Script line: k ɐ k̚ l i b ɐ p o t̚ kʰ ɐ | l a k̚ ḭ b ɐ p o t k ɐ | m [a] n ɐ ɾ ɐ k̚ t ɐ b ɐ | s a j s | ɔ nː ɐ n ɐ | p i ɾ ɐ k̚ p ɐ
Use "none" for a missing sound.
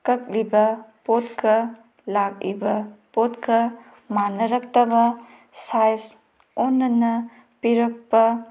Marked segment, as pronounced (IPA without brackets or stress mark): a